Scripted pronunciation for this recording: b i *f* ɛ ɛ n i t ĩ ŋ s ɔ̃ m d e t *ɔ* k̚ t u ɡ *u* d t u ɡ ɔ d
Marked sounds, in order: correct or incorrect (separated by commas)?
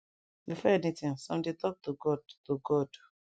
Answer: correct, correct, incorrect